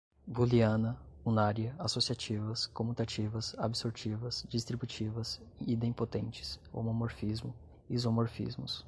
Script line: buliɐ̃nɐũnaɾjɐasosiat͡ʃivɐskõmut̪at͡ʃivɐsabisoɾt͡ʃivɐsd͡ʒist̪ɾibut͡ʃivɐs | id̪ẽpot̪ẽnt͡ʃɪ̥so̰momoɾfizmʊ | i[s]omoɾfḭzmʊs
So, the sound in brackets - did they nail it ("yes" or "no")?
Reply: no